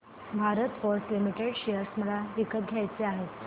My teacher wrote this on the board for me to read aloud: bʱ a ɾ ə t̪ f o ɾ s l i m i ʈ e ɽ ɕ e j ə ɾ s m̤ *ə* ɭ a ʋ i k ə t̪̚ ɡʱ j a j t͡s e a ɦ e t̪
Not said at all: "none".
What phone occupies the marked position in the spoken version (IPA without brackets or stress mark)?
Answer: ə